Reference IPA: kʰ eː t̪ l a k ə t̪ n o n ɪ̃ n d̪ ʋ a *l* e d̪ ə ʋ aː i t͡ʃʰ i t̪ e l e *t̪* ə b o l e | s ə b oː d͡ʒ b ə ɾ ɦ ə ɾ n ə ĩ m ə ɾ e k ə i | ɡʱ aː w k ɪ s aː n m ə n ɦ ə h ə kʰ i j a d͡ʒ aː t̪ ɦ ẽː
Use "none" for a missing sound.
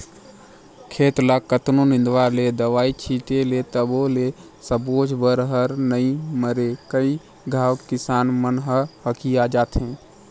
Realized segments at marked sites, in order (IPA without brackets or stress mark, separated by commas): l, t̪